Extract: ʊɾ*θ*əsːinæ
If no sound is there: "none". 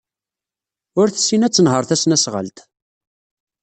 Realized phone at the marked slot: θ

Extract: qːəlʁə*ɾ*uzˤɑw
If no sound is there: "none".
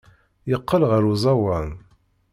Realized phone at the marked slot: ɾ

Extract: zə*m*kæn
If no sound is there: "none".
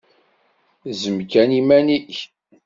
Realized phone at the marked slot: m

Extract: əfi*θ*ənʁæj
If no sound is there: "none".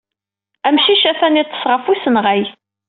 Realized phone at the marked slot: s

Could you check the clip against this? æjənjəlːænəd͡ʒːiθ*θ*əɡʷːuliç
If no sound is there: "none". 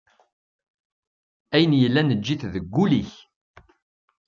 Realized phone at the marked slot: ð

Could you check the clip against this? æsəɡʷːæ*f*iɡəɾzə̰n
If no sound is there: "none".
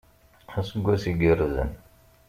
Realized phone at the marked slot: s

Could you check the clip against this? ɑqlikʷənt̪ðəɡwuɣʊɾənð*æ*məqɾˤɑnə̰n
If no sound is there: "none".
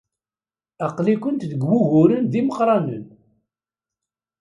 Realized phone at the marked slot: i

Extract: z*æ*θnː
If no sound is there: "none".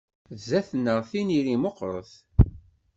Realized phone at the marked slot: æ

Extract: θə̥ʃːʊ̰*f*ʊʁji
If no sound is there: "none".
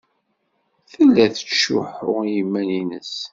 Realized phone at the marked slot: ħ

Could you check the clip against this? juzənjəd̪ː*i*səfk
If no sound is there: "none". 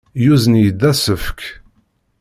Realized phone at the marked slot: æ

